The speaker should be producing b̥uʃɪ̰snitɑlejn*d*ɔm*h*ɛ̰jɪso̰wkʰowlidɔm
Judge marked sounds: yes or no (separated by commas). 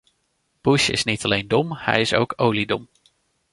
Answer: yes, yes